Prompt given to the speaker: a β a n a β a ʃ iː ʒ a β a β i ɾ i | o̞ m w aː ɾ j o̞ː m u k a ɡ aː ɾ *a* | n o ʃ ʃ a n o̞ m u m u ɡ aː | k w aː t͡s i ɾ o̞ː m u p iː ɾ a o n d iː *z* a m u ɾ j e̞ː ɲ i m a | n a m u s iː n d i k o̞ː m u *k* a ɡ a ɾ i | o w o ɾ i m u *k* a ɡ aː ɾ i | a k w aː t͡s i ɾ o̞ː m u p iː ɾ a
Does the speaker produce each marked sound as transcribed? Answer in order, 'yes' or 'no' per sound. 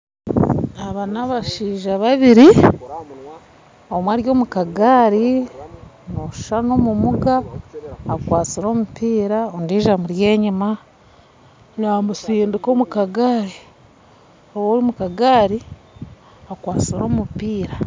no, no, yes, yes

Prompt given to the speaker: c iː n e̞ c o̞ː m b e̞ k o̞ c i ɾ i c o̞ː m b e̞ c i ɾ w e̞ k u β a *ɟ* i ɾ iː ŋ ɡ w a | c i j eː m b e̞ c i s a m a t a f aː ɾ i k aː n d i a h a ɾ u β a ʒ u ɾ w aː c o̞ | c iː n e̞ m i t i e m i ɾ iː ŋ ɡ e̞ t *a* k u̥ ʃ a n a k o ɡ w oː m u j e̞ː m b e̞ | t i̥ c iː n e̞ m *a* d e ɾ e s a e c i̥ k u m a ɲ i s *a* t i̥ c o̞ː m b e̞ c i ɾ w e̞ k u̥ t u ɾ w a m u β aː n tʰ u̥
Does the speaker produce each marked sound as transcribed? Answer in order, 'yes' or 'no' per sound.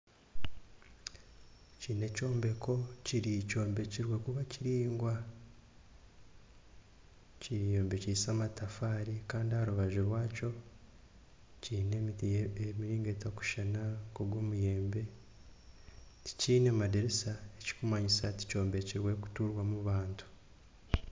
no, yes, yes, yes

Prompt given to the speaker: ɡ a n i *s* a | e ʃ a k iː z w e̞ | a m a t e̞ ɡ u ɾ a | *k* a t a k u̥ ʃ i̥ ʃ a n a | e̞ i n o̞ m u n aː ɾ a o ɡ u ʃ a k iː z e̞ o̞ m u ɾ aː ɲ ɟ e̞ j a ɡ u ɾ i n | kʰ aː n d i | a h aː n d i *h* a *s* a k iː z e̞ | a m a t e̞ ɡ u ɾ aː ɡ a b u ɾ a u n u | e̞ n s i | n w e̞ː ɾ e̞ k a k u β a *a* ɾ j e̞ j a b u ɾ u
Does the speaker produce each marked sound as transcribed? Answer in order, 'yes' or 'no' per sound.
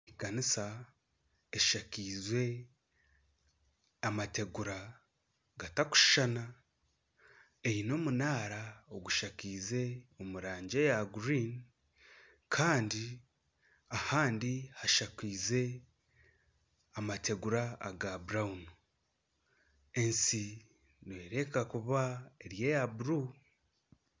yes, no, yes, no, no

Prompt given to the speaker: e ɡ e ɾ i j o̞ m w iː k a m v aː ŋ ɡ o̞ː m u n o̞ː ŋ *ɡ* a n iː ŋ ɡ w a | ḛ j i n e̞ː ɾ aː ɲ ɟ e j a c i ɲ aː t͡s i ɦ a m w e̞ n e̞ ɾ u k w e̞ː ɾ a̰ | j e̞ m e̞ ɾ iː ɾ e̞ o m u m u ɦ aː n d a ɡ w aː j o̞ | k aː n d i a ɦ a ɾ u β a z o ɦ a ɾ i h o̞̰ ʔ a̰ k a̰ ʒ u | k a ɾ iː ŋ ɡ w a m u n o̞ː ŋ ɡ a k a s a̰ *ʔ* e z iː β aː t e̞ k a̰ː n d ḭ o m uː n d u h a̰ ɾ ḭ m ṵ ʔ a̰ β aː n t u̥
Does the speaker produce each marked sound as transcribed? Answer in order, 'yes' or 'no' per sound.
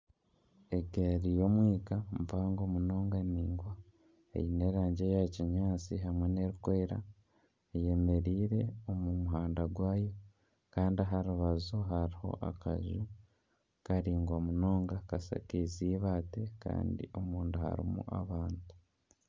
yes, no

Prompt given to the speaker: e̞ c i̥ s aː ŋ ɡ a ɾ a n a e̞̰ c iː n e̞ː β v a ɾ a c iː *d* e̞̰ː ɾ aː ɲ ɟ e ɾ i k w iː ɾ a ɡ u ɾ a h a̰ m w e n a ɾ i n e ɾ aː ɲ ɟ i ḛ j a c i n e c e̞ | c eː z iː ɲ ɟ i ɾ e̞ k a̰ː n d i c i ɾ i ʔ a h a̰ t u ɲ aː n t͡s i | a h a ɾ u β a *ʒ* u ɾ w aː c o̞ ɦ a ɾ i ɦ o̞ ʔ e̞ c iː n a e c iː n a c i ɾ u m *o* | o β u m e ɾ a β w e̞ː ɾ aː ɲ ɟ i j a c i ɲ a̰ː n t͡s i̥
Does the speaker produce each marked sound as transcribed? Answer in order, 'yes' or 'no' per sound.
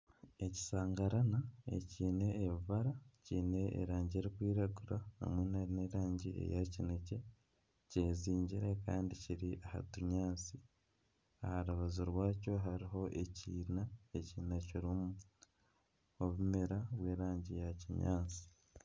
no, no, no

